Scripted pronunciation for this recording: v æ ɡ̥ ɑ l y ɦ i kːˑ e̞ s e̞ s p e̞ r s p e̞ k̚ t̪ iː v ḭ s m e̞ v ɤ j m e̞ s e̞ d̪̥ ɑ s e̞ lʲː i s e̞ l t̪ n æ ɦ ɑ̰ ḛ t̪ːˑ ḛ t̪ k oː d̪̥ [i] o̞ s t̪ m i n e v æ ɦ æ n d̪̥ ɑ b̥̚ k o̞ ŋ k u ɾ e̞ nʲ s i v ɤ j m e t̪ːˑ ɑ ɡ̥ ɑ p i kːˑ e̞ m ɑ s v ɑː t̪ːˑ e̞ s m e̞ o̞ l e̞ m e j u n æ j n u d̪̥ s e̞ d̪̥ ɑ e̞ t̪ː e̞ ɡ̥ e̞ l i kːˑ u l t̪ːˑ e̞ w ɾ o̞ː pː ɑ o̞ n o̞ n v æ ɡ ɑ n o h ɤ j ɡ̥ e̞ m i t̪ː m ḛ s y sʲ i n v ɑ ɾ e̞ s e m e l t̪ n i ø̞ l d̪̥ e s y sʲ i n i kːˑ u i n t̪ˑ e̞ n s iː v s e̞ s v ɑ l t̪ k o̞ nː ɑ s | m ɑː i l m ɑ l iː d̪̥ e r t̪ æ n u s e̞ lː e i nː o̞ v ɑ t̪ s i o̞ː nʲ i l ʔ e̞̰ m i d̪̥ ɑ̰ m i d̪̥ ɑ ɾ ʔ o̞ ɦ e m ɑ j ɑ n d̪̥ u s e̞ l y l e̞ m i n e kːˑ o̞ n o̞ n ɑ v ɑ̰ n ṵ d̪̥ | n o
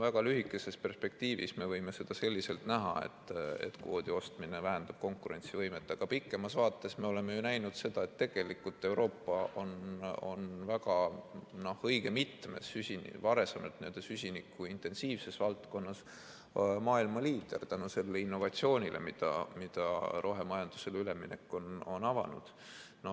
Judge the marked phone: correct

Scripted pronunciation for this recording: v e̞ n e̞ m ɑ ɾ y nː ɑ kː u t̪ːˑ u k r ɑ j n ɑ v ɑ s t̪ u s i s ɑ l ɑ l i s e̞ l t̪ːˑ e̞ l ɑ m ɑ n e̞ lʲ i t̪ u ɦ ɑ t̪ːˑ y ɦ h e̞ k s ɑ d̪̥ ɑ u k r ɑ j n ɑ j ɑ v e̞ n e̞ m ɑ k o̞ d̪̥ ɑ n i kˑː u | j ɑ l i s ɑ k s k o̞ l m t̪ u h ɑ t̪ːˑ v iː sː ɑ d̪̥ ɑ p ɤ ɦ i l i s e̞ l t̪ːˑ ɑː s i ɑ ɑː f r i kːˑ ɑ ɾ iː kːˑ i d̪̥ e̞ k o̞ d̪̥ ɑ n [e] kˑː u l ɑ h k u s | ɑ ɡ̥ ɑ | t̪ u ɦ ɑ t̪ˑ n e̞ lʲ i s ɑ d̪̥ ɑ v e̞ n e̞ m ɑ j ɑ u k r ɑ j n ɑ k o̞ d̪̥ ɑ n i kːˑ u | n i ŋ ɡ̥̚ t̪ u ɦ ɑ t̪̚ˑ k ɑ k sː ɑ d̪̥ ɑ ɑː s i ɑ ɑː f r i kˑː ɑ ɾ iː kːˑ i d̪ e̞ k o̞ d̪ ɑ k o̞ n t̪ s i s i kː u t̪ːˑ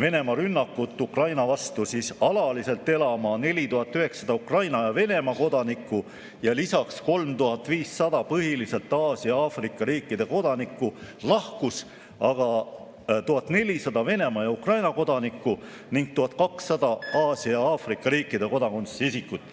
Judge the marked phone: incorrect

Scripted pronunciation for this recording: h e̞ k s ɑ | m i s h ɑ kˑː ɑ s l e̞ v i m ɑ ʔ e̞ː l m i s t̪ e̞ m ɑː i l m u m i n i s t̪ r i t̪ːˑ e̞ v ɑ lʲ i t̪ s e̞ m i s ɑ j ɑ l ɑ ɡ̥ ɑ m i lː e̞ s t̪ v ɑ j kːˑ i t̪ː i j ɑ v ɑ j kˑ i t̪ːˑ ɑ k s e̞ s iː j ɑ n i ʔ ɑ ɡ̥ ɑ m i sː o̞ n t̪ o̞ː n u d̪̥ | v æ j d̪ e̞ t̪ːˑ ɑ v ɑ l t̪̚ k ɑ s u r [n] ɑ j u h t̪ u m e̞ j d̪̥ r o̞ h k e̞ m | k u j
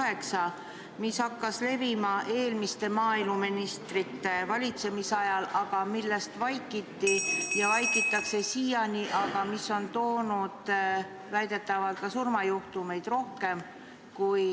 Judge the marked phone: incorrect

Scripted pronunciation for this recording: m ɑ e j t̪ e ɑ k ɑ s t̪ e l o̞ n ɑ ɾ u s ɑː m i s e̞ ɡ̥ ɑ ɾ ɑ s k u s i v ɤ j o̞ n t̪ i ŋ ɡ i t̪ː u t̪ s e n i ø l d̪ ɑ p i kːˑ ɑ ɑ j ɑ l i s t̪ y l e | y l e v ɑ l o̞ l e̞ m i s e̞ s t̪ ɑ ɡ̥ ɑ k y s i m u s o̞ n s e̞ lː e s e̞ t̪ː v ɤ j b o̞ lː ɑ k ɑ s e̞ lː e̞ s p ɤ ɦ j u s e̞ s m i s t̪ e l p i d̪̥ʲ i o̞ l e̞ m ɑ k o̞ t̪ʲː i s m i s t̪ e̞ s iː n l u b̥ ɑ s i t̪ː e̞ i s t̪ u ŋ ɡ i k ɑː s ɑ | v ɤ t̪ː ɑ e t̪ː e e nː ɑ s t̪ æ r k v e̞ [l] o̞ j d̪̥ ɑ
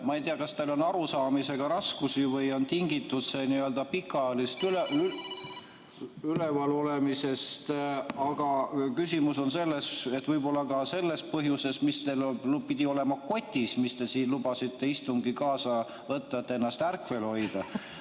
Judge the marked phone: correct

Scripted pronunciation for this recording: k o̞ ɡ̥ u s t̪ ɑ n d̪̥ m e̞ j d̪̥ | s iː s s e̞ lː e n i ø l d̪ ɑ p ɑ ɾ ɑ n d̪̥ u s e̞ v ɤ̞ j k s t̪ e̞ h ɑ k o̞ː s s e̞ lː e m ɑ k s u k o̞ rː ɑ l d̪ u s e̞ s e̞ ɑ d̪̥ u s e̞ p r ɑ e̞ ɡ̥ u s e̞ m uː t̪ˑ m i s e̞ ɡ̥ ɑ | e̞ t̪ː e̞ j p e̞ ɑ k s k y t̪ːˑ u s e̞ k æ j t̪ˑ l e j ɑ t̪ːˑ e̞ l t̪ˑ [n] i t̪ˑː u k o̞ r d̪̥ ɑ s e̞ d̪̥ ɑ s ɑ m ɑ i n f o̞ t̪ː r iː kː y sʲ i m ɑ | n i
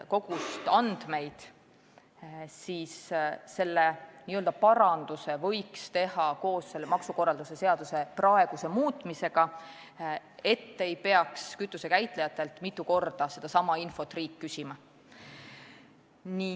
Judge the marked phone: incorrect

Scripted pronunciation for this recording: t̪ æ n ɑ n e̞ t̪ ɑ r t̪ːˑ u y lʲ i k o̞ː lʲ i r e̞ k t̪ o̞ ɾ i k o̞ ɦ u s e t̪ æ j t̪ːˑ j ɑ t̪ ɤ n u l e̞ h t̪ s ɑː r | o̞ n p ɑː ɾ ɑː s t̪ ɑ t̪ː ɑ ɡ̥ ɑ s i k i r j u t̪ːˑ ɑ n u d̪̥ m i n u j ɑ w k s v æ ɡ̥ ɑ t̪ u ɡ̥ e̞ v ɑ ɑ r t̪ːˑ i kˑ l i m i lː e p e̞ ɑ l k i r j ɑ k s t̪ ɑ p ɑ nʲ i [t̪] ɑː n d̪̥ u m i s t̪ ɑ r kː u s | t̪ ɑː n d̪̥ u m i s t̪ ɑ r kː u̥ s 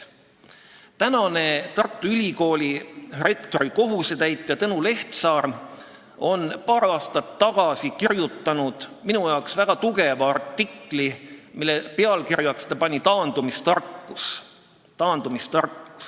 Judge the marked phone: correct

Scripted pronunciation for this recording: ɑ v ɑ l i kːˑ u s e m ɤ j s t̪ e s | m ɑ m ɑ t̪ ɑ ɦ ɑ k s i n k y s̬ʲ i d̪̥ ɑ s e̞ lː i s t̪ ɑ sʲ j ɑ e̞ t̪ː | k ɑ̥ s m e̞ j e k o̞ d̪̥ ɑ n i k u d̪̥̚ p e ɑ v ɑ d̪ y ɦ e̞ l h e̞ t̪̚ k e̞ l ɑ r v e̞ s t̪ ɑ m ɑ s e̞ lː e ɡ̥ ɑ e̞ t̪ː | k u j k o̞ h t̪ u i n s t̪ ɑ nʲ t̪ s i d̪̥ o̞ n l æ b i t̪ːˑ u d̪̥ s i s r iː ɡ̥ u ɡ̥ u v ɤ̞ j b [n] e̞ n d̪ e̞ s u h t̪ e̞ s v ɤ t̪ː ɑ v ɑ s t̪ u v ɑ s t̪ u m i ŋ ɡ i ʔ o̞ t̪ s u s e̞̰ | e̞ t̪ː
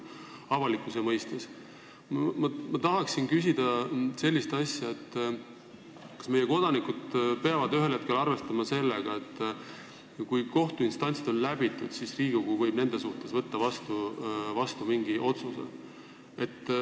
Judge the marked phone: correct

